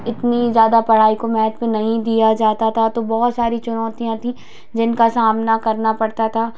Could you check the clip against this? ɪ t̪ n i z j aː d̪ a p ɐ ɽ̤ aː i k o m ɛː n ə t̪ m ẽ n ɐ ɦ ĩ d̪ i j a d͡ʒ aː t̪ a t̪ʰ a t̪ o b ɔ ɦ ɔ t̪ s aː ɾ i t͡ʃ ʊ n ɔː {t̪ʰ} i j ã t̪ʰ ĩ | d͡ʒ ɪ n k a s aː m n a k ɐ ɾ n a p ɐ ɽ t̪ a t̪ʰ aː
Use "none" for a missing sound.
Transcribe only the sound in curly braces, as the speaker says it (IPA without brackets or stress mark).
t̪